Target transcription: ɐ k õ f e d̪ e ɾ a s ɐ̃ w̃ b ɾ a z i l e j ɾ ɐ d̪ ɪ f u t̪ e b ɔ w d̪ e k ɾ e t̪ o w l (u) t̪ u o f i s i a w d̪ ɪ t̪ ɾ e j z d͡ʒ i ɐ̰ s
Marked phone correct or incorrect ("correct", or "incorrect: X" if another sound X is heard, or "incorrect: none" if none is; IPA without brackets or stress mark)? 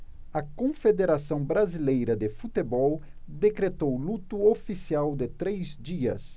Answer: correct